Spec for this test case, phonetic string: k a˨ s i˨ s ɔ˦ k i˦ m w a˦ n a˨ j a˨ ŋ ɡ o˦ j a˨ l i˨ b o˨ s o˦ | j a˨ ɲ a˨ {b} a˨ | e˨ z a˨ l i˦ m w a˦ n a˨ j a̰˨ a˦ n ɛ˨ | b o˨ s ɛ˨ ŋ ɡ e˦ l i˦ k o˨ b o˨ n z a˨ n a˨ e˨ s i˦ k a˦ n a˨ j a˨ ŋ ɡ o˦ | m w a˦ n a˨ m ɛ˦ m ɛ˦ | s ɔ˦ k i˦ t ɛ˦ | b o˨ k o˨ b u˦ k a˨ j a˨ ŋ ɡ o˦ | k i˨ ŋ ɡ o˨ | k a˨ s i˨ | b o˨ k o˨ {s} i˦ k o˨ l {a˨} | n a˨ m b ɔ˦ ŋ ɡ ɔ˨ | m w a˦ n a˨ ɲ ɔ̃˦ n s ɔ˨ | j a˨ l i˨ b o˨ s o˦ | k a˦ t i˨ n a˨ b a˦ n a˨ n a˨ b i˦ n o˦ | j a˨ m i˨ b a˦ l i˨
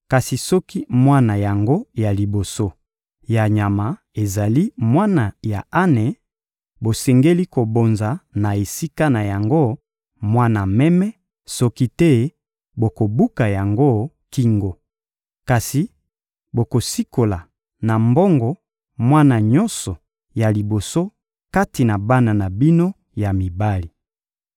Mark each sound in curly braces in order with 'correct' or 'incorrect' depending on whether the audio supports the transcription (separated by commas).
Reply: incorrect, correct, correct